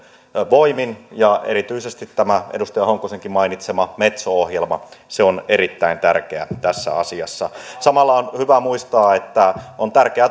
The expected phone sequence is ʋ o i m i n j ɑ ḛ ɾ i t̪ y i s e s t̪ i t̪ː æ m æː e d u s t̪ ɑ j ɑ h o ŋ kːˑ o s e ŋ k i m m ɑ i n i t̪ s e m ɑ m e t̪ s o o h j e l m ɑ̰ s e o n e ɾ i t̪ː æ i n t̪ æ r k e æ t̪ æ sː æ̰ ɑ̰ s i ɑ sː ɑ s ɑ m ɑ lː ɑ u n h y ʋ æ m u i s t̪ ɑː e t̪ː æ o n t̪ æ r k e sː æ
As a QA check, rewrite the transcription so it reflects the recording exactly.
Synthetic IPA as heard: ʋ o i m i n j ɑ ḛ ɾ i t̪ y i s e s t̪ i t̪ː æ m æ e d u s t̪ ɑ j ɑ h o ŋ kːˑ o s e ŋ k i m m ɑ i n i t̪ s e m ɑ m e t̪ s o o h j e l m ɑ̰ s e o n e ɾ i t̪ː æ i n t̪ æ r k e æ t̪ æ sː æ̰ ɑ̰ s i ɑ sː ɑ s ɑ m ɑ lː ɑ o n h y ʋ æ m u i s t̪ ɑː e t̪ː æ o n t̪ æ r k e æ

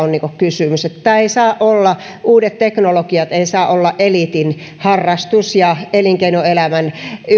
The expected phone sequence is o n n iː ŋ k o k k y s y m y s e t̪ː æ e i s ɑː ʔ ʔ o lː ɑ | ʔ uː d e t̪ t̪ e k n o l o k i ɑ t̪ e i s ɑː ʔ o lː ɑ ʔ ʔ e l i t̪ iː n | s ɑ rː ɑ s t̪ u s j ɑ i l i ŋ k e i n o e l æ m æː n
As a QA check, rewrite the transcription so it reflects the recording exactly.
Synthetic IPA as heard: o n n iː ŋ k o k k y s y m y s e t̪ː æ e i s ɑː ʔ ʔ o lː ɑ | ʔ uː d e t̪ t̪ e k n o l o k i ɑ t̪ e i s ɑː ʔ o lː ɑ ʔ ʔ e l i t̪ i n | h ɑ rː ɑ s t̪ u s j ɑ e l i ŋ k e i n o e l æ m æ n

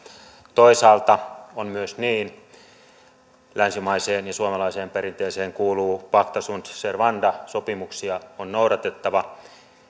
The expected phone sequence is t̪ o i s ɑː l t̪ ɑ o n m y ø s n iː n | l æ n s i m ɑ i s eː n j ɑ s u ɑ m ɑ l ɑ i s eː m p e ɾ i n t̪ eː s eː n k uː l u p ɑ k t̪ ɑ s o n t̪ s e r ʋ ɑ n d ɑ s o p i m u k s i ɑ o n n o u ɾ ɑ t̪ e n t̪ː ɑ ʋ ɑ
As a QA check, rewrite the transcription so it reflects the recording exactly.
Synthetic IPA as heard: t̪ o i s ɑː l t̪ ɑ o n m y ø s n iː n | l æ n s i m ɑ i s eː n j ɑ s u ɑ m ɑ l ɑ i s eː m p e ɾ i n t̪ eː s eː ŋ k uː l uː p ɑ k t̪ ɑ s u n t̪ s e r ʋ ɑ n d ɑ s o p i m u k s i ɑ o n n o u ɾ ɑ t̪ e t̪ː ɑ ʋ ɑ

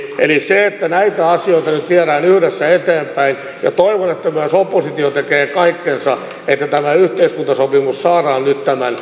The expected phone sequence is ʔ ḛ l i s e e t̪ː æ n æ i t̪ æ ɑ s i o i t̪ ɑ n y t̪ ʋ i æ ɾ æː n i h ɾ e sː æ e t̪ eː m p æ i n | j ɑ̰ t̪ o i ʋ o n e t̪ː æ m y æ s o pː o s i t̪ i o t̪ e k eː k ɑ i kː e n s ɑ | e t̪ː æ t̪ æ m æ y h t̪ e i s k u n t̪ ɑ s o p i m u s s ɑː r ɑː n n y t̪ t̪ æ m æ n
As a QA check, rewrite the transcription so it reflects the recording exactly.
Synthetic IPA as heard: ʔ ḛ l i s e e t̪ː æ n æ i t̪ æ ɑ s i o i t̪ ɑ n y t̪ ʋ i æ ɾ æː n y h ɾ e sː æ e t̪ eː m p æ i n | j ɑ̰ t̪ o i ʋ o n e t̪ː æ m y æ s o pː o s i t̪ i o t̪ e k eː k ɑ i kː e n s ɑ | e t̪ː æ t̪ æ m æ y h t̪ e i s k u n t̪ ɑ s o p i m u s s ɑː r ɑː n n y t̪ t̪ æ m æ n

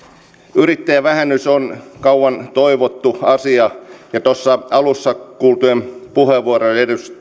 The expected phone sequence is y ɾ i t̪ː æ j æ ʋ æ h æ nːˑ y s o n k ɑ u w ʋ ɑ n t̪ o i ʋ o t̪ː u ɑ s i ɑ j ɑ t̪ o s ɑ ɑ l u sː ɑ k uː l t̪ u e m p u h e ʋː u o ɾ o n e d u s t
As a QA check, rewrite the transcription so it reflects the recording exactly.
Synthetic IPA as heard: y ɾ i t̪ː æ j æ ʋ æ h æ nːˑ y s o n k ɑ u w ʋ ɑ n t̪ o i ʋ o t̪ː u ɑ s i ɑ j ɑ t̪ o sː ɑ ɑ l u sː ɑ k uː l t̪ u e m p u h e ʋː u o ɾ o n e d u s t

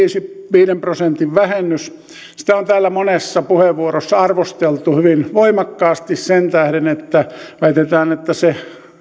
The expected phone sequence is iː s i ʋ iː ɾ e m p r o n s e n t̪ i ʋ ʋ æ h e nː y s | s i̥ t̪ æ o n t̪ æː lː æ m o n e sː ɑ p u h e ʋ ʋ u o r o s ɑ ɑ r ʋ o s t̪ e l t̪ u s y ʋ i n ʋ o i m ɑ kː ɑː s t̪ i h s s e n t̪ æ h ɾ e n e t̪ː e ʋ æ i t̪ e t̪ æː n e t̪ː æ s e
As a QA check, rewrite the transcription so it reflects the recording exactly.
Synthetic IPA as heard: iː s i ʋ iː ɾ e m p r o s e n t̪ i ʋ ʋ æ h e nː y s | s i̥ t̪ æ o n t̪ æː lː æ m o n e sː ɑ p u h e ʋ ʋ u o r o sː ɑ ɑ r ʋ o s t̪ e l t̪ u h y ʋ i n ʋ o i m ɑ kː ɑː s t̪ i s s e n t̪ æ h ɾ e n e t̪ː æ ʋ æ i t̪ e t̪ æː n e t̪ː æ s e

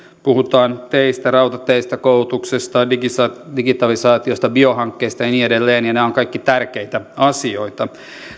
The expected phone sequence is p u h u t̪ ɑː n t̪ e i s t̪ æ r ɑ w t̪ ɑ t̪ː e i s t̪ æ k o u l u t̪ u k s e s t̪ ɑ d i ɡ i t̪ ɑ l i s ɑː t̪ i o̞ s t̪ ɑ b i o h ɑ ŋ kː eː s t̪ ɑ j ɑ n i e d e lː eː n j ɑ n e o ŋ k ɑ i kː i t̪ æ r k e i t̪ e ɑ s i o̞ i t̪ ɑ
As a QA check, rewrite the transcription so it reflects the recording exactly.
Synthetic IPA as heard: p u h u t̪ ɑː n t̪ e i s t̪ æ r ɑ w t̪ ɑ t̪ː e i s t̪ æ k o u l u t̪ u k s e s t̪ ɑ d i ɡ i t̪ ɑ l i s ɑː t̪ i o̞ s t̪ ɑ b i o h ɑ ŋ kː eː s t̪ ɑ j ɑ n i e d e lː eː n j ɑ n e o ŋ k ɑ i kː i t̪ æ r k e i t̪ æ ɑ s i o̞ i t̪ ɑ

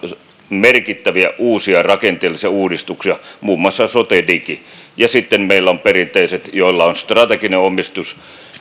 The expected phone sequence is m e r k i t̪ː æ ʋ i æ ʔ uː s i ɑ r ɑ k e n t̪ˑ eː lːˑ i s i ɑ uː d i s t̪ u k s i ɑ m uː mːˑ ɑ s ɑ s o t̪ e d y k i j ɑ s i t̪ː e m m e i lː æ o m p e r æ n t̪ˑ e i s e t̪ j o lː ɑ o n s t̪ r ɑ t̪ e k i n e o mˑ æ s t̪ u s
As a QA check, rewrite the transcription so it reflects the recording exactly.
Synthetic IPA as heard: m e r k i t̪ː æ ʋ i æ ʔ uː s i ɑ r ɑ k e n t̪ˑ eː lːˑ i s i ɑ uː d i s t̪ u k s i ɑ m uː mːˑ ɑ sː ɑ s o t̪ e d i k i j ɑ s i t̪ː e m m e i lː æ o m p e r i n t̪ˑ e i s e t̪ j o lː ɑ o n s t̪ r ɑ t̪ e k i n e o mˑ i s t̪ u s

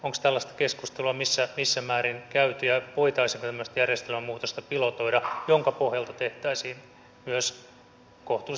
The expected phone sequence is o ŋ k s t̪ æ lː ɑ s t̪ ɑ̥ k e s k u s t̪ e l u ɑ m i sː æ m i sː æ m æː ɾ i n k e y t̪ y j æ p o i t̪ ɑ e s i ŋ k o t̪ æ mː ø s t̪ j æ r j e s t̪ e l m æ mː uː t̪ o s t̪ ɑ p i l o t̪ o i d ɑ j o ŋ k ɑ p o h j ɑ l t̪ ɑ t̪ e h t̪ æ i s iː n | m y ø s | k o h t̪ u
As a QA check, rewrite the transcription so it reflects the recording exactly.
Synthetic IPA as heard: o ŋ k s t̪ æ lː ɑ s t̪ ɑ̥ k e s k u s t̪ e l u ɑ m i sː æ m i sː æ m æː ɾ i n k æ y t̪ y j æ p o i t̪ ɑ i s i ŋ k o t̪ æ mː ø s t̪ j æ r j e s t̪ e l m æ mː uː t̪ o s t̪ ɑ p i l o t̪ o i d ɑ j o ŋ k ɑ p o h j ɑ l t̪ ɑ t̪ e h t̪ æ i s iː n | m y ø s | k o h t̪ u

